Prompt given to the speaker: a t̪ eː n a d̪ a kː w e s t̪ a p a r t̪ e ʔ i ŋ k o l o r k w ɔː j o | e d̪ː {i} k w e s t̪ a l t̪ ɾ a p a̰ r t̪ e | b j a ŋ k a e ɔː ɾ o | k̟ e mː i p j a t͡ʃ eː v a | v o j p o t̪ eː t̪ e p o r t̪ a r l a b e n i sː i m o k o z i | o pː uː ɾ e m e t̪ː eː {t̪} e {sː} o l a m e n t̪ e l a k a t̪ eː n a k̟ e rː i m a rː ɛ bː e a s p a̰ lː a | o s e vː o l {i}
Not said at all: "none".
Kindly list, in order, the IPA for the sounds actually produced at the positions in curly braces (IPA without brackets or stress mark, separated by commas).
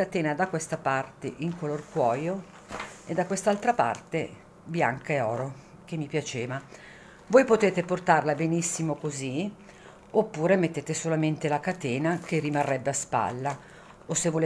a, t̪, s, e